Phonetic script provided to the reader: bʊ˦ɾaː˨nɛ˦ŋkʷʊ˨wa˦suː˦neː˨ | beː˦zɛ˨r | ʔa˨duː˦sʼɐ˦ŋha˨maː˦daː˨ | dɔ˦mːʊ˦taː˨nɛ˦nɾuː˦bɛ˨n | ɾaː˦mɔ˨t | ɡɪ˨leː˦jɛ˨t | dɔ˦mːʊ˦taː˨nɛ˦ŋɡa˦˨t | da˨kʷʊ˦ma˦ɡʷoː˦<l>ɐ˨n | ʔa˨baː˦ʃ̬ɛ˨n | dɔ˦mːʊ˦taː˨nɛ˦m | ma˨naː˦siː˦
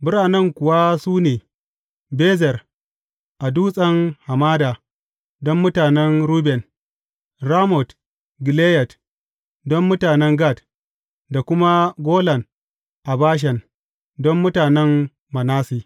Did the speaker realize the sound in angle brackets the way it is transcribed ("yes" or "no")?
yes